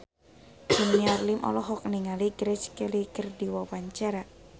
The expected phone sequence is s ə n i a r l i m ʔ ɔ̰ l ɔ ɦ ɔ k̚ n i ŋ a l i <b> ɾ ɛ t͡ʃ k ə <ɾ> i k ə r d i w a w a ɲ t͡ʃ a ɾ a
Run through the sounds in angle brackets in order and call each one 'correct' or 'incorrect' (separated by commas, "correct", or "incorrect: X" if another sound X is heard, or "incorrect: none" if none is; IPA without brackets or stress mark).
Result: incorrect: ɡ, incorrect: l